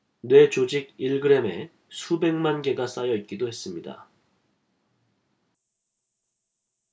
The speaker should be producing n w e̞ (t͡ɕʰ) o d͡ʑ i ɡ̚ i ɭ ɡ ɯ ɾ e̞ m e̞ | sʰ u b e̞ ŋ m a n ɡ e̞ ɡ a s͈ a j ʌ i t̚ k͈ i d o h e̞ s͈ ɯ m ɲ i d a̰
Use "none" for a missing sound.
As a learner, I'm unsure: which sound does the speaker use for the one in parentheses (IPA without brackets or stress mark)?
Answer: t͡ɕ